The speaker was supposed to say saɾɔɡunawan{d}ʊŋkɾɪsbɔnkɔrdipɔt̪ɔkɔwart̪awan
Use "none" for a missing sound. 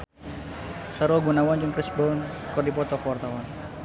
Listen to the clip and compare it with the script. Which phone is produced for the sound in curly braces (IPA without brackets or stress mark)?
d͡ʒ